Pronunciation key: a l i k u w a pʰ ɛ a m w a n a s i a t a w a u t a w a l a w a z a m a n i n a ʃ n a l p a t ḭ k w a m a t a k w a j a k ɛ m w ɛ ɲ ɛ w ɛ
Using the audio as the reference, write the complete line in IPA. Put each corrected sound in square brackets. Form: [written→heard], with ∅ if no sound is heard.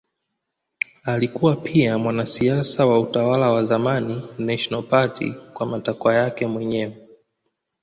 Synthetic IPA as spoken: a l i k u w a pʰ [ɛ→i] a m w a n a s i a [t→s] a w a u t a w a l a w a z a m a n i n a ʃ n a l p a t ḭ k w a m a t a k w a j a k ɛ m w ɛ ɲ ɛ w ɛ